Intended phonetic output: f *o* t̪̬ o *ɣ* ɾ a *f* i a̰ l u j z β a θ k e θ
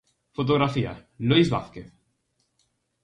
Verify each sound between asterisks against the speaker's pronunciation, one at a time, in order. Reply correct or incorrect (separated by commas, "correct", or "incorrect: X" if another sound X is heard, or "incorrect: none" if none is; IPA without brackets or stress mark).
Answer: correct, correct, correct